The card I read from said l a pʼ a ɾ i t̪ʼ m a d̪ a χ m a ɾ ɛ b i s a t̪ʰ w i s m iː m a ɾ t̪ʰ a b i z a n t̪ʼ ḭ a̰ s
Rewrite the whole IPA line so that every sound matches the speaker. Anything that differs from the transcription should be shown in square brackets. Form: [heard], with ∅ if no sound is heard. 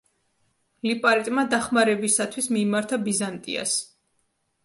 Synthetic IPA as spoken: l [i] pʼ a ɾ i t̪ʼ m a d̪ a χ m a ɾ ɛ b i s a t̪ʰ w i s m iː m a ɾ t̪ʰ a b i z a n t̪ʼ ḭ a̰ s

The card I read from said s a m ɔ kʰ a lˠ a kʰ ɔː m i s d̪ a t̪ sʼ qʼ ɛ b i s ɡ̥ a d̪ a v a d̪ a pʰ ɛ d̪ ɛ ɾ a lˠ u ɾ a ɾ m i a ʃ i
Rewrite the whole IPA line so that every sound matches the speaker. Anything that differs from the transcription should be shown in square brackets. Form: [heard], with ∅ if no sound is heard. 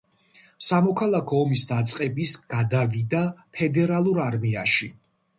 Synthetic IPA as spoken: s a m ɔ kʰ a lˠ a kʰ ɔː m i s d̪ a t̪ sʼ qʼ ɛ b i s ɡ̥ a d̪ a v [i] d̪ a pʰ ɛ d̪ ɛ ɾ a lˠ u ɾ a ɾ m i a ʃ i

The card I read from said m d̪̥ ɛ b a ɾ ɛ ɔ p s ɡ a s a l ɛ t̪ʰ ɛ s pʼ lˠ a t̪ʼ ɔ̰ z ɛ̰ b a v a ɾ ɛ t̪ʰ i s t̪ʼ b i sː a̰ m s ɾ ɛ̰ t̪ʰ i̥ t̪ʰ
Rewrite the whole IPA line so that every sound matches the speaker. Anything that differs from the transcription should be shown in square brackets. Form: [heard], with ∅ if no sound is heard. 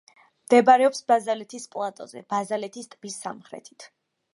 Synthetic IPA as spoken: m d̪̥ ɛ b a ɾ ɛ ɔ p s [b] a [z] a l ɛ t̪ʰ [i] s pʼ lˠ a t̪ʼ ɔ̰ z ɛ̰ b a [z] a [l] ɛ t̪ʰ i s t̪ʼ b i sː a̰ m [χ] ɾ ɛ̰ t̪ʰ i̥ t̪ʰ

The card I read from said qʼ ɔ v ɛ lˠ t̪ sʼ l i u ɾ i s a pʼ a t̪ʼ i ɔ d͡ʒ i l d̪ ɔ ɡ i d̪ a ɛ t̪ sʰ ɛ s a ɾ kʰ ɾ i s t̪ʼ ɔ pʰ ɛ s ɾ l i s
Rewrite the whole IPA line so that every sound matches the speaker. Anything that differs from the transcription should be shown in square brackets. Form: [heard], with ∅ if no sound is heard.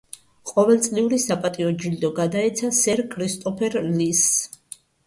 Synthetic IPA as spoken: qʼ ɔ v ɛ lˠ t̪ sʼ l i u ɾ i s a pʼ a t̪ʼ i ɔ d͡ʒ i l d̪ ɔ ɡ [a] d̪ a ɛ t̪ sʰ [a] s [ɛ] ɾ kʰ ɾ i s t̪ʼ ɔ pʰ ɛ [∅] ɾ l i s

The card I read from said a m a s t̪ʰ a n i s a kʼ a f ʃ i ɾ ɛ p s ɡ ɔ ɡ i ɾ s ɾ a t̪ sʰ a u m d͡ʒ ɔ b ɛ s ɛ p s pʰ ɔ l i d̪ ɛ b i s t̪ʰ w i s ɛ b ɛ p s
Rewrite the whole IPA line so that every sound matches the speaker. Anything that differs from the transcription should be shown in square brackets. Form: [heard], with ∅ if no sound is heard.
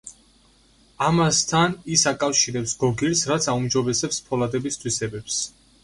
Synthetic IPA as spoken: a m a s t̪ʰ a n i s a kʼ a f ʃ i ɾ ɛ p s ɡ ɔ ɡ i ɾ s ɾ a t̪ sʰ a u m d͡ʒ ɔ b ɛ s ɛ p s pʰ ɔ l [a] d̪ ɛ b i s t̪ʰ w i s ɛ b ɛ p s

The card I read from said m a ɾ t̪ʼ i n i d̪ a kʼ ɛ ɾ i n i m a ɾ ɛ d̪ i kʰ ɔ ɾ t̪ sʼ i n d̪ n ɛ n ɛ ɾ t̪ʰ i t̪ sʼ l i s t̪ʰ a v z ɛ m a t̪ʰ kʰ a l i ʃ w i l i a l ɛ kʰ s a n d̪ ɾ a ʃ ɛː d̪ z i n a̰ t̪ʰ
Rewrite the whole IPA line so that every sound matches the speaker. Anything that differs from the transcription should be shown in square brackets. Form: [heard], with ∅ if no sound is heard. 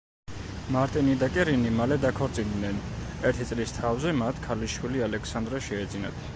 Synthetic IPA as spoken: m a ɾ t̪ʼ i n i d̪ a kʼ ɛ ɾ i n i m a [l] ɛ d̪ [a] kʰ ɔ ɾ t̪ sʼ i n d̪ n ɛ n ɛ ɾ t̪ʰ i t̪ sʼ l i s t̪ʰ a v z ɛ m a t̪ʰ kʰ a l i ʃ w i l i a l ɛ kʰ s a n d̪ ɾ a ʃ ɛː d̪ z i n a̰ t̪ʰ

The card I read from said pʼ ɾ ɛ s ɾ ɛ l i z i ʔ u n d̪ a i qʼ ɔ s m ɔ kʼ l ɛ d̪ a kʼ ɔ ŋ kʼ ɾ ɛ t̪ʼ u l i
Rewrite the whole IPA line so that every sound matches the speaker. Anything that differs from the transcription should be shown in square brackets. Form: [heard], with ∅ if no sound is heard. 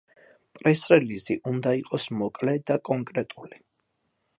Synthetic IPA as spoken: pʼ ɾ ɛ s ɾ ɛ l i z i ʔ u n d̪ a i qʼ ɔ s m ɔ kʼ l ɛ d̪ a kʼ ɔ ŋ kʼ ɾ ɛ t̪ʼ u l i

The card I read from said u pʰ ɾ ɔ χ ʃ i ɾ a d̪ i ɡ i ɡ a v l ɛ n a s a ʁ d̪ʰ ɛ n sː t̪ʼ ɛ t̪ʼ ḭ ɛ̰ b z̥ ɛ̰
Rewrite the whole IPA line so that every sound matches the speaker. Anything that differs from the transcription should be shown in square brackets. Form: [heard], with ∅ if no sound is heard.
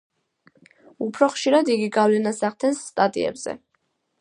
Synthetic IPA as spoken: u pʰ ɾ ɔ χ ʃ i ɾ a d̪ i ɡ i ɡ a v l ɛ n a s a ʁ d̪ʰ ɛ n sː t̪ʼ [a] t̪ʼ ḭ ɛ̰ b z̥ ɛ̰

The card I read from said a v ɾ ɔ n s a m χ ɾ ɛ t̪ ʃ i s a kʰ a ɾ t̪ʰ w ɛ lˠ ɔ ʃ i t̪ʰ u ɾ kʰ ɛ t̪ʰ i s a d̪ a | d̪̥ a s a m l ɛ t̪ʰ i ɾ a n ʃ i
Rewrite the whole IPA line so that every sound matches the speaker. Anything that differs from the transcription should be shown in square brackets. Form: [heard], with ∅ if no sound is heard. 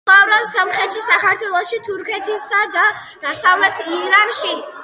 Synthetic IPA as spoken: a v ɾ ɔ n s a m χ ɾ ɛ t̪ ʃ i s a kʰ a ɾ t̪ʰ w ɛ lˠ ɔ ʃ i t̪ʰ u ɾ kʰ ɛ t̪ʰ i s a d̪ a | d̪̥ a s a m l ɛ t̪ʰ i ɾ a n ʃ i

